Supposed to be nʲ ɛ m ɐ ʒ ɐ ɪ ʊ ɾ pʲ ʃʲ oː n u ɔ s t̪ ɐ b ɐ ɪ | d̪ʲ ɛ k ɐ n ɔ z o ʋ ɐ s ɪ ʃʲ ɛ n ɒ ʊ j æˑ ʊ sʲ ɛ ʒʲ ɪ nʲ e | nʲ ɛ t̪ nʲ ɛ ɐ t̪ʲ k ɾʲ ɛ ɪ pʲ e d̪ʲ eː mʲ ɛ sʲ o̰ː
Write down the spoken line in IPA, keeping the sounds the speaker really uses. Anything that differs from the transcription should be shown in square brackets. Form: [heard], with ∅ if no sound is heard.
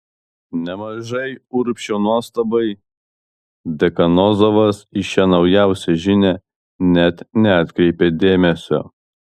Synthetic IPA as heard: nʲ ɛ m ɐ ʒ ɐ ɪ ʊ ɾ pʲ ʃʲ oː n u ɔ s t̪ ɐ b ɐ ɪ | d̪ʲ ɛ k ɐ n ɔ z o ʋ ɐ s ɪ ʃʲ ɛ n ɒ ʊ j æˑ ʊ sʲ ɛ ʒʲ ɪ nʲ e | nʲ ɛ t̪ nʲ ɛ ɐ t̪ʲ k ɾʲ ɛ ɪ pʲ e d̪ʲ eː mʲ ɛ sʲ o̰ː